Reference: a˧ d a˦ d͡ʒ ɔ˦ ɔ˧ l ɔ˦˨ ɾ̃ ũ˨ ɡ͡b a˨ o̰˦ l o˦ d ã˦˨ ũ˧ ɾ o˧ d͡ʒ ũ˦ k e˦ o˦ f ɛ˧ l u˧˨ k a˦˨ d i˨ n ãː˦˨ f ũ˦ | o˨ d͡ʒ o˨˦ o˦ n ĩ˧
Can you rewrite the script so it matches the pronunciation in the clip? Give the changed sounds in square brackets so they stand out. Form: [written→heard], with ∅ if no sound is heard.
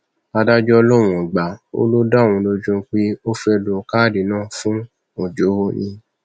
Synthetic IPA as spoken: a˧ d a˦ d͡ʒ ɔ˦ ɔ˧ l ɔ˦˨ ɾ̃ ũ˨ ɡ͡b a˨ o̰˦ l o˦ d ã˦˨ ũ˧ [ɾ→l] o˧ d͡ʒ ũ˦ [k→k͡p] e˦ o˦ f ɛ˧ l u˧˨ k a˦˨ d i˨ n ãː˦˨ f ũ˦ | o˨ d͡ʒ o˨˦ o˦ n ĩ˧